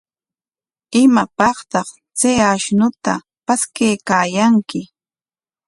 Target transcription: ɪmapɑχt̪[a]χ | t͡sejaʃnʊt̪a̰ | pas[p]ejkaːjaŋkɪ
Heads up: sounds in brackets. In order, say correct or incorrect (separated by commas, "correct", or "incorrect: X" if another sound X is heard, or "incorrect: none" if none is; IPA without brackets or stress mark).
incorrect: ɑ, incorrect: k